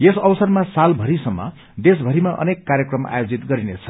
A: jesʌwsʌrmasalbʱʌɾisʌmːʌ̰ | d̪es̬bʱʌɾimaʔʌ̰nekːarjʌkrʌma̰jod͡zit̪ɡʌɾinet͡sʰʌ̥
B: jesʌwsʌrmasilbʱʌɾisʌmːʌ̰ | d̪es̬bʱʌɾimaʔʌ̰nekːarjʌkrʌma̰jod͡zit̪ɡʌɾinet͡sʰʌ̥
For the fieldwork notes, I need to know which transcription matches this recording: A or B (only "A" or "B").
A